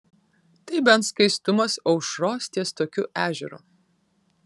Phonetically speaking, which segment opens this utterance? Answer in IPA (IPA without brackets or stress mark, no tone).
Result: t̪